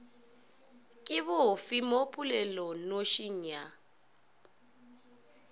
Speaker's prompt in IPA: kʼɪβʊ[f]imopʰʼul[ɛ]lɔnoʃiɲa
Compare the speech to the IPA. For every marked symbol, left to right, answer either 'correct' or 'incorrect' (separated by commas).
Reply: correct, correct